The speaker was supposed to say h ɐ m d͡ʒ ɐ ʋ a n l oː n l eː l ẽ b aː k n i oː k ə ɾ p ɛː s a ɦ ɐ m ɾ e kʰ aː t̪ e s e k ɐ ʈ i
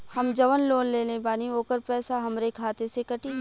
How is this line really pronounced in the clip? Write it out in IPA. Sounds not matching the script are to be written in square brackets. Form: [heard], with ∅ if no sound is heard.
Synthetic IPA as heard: h ɐ m d͡ʒ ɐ ʋ [ə] n l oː n l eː l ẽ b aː [∅] n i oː k ə ɾ p ɛː s a ɦ ɐ m ɾ e kʰ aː t̪ e s e k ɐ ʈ i